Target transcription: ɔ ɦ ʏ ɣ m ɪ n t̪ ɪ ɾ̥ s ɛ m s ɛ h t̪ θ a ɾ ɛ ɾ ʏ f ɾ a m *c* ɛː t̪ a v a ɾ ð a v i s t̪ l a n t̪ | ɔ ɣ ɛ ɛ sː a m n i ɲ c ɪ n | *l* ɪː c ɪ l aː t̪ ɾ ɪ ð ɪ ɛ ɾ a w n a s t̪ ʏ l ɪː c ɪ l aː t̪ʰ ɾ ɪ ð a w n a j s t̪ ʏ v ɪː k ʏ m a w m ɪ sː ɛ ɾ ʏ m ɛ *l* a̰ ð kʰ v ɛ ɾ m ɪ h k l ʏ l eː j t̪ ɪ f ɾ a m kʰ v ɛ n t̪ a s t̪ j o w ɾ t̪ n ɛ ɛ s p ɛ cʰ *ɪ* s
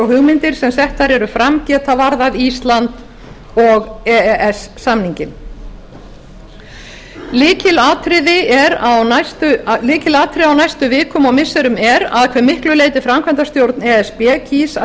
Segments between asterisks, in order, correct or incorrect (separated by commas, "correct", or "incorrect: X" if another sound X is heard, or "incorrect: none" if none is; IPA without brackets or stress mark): correct, correct, incorrect: ɾ, incorrect: i